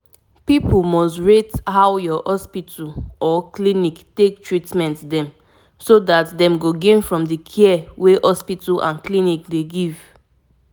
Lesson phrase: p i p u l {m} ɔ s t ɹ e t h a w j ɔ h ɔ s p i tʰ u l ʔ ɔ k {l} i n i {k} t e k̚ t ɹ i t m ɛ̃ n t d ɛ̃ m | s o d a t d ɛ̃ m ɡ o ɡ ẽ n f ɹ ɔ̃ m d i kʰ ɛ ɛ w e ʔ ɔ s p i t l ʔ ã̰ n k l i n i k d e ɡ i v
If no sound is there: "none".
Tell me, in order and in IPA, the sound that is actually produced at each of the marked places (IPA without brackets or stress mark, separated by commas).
m, l, k